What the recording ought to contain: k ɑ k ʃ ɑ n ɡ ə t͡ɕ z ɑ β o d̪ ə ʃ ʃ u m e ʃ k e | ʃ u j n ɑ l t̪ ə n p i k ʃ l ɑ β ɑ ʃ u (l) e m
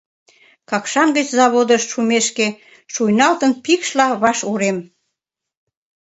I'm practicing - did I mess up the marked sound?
yes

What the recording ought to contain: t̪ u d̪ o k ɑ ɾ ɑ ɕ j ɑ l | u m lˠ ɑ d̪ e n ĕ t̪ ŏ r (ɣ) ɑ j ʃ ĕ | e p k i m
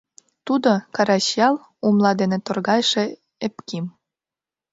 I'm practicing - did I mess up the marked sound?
no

